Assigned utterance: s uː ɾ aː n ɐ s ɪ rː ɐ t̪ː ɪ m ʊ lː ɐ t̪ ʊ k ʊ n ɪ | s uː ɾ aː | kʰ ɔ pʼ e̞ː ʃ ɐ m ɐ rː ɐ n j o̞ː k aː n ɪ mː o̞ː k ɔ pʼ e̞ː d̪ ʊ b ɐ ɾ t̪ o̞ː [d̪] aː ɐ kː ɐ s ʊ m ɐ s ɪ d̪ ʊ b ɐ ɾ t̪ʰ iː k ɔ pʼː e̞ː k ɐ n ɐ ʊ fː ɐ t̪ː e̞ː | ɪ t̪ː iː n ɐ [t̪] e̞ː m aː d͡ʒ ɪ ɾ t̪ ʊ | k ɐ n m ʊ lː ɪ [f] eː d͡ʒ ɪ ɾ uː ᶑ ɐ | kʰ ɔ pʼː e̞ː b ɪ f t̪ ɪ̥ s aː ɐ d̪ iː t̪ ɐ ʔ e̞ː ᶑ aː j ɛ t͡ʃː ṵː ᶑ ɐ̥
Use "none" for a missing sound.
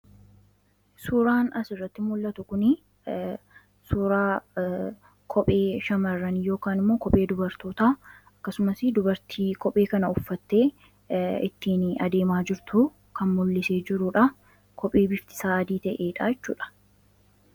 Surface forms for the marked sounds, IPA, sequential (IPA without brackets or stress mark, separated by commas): t̪, d̪, s